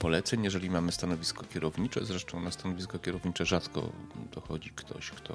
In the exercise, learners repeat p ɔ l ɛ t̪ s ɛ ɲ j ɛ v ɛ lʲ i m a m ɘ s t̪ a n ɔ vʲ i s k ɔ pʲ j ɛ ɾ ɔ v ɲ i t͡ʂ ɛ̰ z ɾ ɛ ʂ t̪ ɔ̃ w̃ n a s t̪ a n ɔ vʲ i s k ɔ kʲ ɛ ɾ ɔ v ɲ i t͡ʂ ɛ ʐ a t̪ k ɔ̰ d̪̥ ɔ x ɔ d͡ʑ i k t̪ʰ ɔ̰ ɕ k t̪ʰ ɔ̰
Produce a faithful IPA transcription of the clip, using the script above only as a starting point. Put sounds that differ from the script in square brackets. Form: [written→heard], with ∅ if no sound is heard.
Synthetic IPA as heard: p ɔ l ɛ t̪ s ɛ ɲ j ɛ [v→ʐ] ɛ lʲ i m a m ɘ s t̪ a n ɔ vʲ i s k ɔ [pʲ→kʲ] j ɛ ɾ ɔ v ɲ i t͡ʂ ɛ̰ z ɾ ɛ ʂ t̪ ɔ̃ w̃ n a s t̪ a n ɔ vʲ i s k ɔ kʲ ɛ ɾ ɔ v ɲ i t͡ʂ ɛ ʐ a t̪ k ɔ̰ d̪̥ ɔ x ɔ d͡ʑ i k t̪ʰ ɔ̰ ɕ k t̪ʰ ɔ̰